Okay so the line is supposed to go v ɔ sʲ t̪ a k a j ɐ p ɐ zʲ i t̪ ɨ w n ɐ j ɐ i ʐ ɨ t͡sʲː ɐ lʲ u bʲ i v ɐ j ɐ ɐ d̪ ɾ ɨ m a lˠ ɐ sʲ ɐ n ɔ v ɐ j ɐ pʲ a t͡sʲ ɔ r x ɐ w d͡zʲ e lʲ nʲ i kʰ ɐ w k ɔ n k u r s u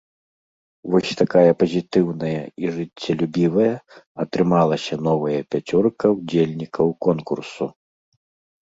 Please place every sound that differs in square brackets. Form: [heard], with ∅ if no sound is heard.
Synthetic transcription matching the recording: v ɔ sʲ t̪ a k a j ɐ p ɐ zʲ i t̪ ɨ w n ɐ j ɐ i ʐ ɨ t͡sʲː ɐ lʲ u bʲ i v ɐ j ɐ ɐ [t̪] ɾ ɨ m a lˠ ɐ sʲ ɐ n ɔ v ɐ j ɐ pʲ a t͡sʲ ɔ r [k] ɐ w d͡zʲ e lʲ nʲ i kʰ ɐ w k ɔ n k u r s u